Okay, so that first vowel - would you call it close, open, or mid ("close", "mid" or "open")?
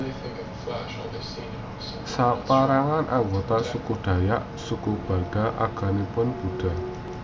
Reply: open